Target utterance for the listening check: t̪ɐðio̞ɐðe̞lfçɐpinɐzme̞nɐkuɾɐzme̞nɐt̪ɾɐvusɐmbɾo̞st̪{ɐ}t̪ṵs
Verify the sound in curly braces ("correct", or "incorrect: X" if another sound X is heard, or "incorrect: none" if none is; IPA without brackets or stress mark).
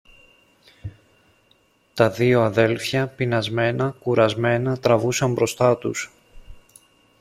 correct